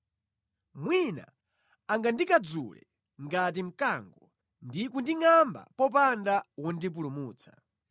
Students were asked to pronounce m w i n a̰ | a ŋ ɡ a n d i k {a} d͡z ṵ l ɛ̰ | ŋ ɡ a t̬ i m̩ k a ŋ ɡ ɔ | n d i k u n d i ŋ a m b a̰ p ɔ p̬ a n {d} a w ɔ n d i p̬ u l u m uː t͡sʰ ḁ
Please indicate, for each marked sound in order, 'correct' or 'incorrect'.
correct, correct

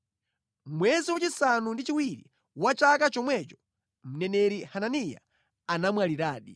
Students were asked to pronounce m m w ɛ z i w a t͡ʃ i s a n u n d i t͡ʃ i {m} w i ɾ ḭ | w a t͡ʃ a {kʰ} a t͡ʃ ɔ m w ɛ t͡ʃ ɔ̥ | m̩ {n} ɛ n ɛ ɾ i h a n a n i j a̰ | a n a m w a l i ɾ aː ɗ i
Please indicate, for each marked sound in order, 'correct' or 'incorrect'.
incorrect: none, incorrect: k, correct

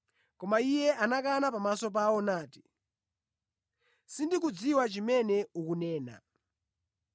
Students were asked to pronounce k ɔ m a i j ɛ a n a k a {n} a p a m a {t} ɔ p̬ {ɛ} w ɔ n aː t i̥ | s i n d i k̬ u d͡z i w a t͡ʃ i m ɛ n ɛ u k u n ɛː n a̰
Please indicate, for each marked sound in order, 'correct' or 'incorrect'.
correct, incorrect: s, incorrect: a

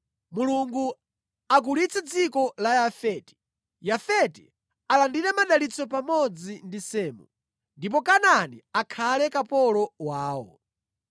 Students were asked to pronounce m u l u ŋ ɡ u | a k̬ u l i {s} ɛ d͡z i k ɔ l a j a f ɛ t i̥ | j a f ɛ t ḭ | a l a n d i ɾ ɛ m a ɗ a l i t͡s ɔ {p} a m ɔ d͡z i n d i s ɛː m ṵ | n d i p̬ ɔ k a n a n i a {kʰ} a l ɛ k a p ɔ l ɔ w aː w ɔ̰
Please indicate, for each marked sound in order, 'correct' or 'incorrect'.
incorrect: t͡s, correct, correct

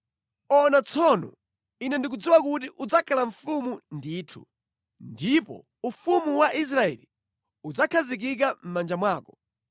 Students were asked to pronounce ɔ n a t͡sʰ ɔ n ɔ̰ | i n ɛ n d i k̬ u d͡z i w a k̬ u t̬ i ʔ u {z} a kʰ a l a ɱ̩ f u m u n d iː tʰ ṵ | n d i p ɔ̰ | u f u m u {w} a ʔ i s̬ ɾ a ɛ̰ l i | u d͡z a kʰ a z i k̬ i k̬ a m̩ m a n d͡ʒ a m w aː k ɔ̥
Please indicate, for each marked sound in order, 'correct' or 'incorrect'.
incorrect: d͡z, correct

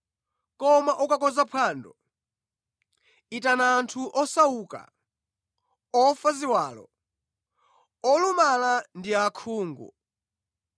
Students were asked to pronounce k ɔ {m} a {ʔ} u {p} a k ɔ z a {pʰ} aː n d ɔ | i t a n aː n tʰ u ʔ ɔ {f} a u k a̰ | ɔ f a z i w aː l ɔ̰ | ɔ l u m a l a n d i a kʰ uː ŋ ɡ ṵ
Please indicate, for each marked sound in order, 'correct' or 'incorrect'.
correct, correct, incorrect: k, correct, incorrect: s

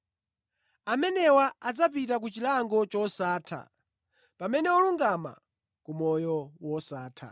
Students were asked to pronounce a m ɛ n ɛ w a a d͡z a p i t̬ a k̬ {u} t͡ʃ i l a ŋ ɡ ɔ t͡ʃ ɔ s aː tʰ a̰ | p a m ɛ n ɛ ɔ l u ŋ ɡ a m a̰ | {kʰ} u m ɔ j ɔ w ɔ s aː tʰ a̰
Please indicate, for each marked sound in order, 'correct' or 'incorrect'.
correct, incorrect: k

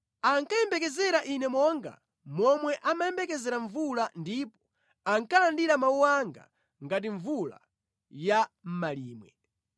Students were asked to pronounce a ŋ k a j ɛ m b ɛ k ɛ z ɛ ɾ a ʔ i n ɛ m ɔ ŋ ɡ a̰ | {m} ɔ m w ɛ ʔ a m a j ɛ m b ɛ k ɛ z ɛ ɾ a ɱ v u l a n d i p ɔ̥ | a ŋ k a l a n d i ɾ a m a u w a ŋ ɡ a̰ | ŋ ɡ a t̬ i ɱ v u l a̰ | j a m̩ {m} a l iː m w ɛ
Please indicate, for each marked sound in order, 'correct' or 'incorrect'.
correct, correct

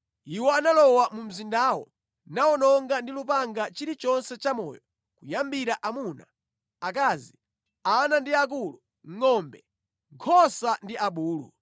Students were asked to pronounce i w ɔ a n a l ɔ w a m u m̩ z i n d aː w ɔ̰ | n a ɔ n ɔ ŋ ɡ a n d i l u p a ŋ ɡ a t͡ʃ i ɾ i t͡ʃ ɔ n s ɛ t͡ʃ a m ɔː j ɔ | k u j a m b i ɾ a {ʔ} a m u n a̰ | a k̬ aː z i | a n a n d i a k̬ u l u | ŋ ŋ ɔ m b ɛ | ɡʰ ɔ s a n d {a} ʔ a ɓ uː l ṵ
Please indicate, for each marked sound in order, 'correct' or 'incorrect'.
correct, incorrect: i

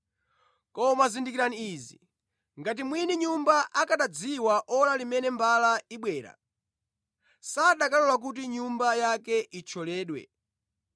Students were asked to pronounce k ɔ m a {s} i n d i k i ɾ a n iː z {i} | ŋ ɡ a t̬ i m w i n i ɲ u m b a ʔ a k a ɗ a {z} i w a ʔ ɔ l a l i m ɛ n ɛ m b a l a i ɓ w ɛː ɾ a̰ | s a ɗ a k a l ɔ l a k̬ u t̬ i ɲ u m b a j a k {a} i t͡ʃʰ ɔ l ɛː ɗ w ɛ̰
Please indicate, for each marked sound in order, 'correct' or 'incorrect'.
incorrect: z, correct, incorrect: d͡z, incorrect: ɛ

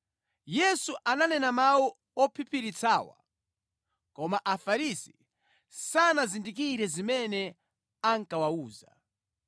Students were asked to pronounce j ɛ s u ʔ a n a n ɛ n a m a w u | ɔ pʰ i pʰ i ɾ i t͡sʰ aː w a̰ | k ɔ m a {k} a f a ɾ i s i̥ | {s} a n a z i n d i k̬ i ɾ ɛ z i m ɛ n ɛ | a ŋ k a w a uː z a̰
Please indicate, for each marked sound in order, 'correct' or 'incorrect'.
incorrect: ʔ, correct

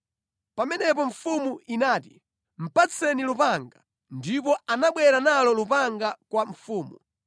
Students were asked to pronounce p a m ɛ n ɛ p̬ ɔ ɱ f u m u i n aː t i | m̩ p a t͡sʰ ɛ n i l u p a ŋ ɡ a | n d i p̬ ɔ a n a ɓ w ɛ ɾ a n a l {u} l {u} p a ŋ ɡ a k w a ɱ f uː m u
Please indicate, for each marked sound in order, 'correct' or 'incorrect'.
incorrect: ɔ, correct

